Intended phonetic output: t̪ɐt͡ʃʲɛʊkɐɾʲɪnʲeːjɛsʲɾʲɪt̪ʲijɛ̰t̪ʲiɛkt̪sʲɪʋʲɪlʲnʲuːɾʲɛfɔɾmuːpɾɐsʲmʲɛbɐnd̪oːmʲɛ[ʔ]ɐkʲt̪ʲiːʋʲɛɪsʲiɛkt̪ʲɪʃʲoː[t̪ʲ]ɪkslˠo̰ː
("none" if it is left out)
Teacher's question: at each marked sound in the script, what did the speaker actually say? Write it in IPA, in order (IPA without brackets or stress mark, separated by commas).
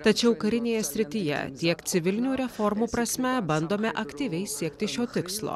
ʔ, t̪ʲ